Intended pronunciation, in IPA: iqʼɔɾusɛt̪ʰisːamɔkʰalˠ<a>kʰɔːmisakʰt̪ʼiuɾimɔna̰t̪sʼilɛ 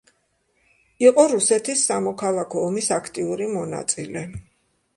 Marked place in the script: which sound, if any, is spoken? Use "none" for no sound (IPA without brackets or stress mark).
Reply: a